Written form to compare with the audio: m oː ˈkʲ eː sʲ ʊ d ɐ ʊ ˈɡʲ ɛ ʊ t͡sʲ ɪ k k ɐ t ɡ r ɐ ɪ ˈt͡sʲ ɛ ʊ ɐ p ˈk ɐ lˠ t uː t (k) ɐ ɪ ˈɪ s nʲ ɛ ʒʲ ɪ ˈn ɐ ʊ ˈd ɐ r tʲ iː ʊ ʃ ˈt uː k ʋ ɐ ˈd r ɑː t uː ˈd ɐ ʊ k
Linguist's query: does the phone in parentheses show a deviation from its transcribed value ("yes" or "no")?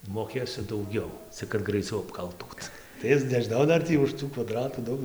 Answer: yes